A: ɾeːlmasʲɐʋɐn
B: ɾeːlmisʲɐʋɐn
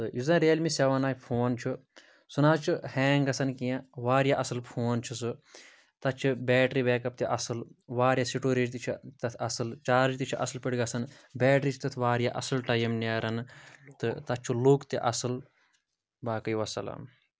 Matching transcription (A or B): B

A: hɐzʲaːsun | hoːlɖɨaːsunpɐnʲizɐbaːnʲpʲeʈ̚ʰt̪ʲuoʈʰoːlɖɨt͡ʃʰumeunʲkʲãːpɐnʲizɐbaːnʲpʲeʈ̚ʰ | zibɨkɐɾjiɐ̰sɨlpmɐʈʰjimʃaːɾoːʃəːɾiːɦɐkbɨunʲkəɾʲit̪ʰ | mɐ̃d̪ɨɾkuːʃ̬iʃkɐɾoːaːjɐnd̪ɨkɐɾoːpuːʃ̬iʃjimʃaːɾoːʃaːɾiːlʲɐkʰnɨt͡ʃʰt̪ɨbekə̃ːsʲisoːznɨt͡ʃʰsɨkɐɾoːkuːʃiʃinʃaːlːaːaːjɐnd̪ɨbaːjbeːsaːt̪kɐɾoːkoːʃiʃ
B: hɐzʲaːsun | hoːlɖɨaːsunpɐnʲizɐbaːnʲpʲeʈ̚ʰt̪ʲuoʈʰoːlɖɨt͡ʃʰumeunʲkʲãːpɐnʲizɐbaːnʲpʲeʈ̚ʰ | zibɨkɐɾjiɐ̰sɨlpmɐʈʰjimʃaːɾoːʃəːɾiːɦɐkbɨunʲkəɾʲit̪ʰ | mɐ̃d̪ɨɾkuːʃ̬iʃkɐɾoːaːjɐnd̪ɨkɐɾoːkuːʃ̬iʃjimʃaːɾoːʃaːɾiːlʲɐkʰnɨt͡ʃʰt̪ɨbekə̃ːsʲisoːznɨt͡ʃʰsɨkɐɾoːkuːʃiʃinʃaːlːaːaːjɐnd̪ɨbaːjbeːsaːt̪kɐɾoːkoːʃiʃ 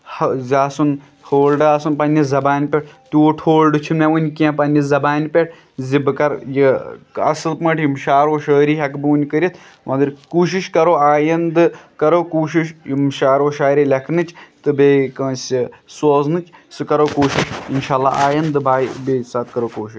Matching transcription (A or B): B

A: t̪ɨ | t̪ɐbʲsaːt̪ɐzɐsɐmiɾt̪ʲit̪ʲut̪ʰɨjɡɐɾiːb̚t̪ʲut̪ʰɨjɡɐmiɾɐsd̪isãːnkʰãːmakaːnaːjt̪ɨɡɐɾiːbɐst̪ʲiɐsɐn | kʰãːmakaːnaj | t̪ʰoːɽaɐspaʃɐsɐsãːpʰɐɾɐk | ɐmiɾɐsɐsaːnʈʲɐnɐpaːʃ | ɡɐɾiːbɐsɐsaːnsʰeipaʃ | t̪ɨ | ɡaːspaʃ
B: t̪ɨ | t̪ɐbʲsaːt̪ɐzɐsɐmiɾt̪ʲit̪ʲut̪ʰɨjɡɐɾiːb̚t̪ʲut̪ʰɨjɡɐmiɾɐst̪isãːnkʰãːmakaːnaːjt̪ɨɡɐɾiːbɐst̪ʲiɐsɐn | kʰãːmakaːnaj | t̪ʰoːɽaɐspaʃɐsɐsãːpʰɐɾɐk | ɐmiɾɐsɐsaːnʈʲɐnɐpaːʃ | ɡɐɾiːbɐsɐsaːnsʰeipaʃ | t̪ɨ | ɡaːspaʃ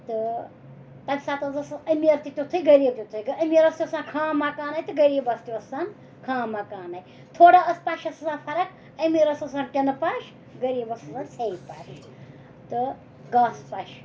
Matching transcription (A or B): B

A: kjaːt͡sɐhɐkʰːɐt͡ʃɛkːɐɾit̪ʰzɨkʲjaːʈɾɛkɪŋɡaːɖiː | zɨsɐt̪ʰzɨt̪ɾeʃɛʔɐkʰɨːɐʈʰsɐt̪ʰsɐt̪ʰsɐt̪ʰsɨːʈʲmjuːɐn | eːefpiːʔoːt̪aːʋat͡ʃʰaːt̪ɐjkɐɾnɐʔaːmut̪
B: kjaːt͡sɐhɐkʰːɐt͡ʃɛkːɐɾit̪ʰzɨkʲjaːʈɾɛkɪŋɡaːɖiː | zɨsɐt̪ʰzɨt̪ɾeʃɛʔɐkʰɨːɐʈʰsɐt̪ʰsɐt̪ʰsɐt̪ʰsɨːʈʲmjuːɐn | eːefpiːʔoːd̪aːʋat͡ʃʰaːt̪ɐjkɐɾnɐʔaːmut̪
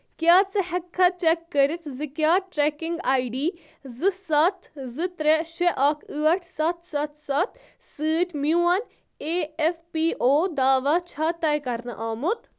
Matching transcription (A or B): B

